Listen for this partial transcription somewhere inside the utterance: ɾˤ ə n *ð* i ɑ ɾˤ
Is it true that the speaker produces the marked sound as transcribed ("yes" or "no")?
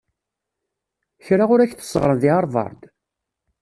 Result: yes